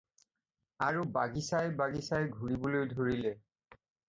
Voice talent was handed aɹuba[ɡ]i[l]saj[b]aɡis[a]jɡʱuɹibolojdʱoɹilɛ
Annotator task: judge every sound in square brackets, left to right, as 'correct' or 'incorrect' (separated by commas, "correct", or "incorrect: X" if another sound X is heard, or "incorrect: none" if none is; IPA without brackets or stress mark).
correct, incorrect: none, correct, correct